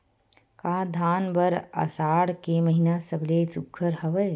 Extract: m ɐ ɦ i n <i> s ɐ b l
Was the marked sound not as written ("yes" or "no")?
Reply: yes